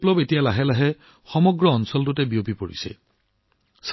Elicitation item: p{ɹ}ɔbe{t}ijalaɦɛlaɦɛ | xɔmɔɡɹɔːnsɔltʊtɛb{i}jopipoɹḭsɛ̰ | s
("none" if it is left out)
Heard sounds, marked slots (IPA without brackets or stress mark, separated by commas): l, t, i